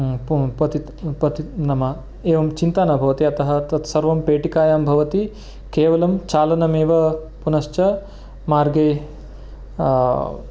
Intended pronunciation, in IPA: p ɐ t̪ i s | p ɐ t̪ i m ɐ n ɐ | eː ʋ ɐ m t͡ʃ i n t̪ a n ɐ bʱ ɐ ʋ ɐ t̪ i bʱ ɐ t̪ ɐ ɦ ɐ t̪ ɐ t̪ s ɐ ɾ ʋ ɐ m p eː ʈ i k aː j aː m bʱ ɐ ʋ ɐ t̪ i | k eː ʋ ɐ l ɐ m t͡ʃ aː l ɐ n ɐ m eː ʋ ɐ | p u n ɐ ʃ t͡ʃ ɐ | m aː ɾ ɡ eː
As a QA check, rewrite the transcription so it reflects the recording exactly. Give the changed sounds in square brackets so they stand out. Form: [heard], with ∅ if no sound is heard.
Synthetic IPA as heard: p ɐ t̪ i [∅] | p ɐ t̪ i [n] ɐ [m] ɐ | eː ʋ ɐ m t͡ʃ i n t̪ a n ɐ bʱ ɐ ʋ ɐ t̪ i [∅] ɐ t̪ ɐ ɦ ɐ t̪ ɐ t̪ s ɐ ɾ ʋ ɐ m p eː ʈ i k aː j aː m bʱ ɐ ʋ ɐ t̪ i | k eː ʋ ɐ l ɐ m t͡ʃ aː l ɐ n ɐ m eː ʋ ɐ | p u n ɐ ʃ t͡ʃ ɐ | m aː ɾ ɡ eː